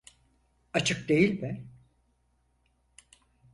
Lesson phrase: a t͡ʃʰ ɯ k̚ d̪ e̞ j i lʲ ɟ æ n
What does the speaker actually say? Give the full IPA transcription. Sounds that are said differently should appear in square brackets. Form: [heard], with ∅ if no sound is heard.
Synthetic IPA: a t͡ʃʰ ɯ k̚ d̪ e̞ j i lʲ [b] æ n